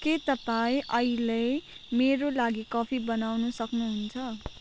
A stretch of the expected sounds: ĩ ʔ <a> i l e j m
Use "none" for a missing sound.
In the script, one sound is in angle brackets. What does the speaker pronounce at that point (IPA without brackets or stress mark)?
ʌ